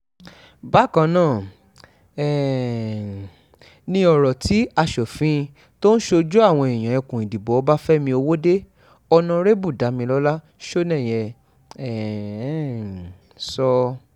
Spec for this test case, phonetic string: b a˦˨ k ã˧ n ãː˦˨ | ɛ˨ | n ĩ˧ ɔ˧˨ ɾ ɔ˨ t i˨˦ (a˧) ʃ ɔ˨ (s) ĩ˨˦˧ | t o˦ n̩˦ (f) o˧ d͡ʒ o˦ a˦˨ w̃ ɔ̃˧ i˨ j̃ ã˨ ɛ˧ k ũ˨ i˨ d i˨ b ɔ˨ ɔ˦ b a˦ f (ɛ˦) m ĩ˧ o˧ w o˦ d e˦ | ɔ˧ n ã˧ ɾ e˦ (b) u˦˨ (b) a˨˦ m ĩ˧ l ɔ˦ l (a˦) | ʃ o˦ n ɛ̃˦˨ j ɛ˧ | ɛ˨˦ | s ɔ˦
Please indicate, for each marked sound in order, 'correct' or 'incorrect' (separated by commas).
correct, incorrect, incorrect, correct, correct, incorrect, correct